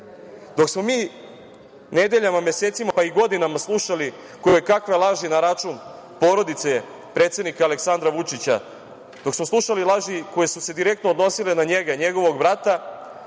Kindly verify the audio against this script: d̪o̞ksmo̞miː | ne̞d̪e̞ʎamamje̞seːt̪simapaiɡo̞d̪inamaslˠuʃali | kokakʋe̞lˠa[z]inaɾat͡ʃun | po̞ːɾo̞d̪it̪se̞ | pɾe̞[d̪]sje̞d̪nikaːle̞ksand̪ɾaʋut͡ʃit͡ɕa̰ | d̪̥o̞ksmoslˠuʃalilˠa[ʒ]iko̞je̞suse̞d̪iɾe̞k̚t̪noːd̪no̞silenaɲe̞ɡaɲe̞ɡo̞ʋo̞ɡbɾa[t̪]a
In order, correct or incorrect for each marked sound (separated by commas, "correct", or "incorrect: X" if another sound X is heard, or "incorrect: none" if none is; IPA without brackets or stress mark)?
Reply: incorrect: ʒ, incorrect: t̪, correct, correct